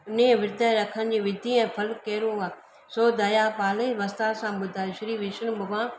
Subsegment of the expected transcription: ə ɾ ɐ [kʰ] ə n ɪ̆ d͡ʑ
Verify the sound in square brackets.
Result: correct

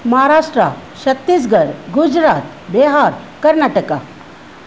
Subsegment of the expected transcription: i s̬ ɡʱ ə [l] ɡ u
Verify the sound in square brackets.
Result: incorrect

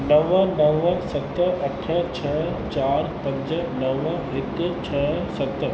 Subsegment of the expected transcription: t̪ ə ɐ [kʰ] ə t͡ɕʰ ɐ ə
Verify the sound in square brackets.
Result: incorrect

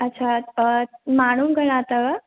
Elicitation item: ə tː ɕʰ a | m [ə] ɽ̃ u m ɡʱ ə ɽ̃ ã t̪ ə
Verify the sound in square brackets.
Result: incorrect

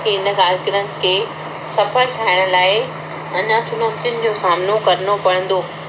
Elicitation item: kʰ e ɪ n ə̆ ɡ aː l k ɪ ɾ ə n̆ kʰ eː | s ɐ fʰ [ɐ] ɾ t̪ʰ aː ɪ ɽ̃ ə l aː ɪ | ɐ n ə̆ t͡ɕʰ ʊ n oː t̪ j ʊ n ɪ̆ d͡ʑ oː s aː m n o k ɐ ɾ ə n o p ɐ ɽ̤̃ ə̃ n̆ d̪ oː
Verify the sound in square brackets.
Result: incorrect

